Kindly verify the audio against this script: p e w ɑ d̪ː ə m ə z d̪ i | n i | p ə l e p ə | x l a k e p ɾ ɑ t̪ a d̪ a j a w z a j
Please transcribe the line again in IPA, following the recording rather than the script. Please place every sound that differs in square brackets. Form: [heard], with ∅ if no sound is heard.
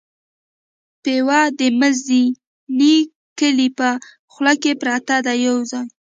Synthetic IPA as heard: p e w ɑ [d̪] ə m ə z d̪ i | n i | [k] ə l [i] p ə | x l a k e p ɾ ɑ t̪ a d̪ a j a w z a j